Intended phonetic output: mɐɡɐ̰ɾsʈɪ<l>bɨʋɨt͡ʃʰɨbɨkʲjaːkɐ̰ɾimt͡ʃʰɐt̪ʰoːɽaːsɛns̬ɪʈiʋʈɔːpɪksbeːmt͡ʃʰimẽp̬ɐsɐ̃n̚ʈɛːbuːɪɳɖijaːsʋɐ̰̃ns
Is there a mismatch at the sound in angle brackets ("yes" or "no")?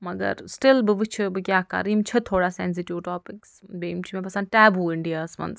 no